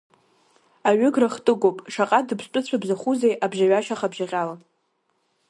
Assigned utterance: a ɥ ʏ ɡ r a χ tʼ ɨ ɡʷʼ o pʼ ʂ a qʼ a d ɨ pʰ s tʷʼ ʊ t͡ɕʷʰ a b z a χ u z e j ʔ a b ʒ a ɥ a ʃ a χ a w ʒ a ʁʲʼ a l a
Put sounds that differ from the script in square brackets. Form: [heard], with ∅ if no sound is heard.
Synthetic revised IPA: a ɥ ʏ ɡ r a χ tʼ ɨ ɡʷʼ o pʼ ʂ a qʼ a d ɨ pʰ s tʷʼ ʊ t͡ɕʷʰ a b z a χ u z e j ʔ a b ʒ a ɥ a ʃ a χ a [b] ʒ a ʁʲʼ a l a